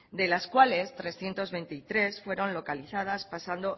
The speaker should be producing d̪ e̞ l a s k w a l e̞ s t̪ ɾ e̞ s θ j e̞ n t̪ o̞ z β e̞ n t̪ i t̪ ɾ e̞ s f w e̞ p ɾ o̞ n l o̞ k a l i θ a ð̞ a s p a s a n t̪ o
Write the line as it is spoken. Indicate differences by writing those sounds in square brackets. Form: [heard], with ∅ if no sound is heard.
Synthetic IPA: d̪ e̞ l a s k w a l e̞ s t̪ ɾ e̞ s θ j e̞ n t̪ o̞ z β e̞ n t̪ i t̪ ɾ e̞ s f w e̞ [∅] ɾ o̞ n l o̞ k a l i θ a ð̞ a s p a s a n [d̪] o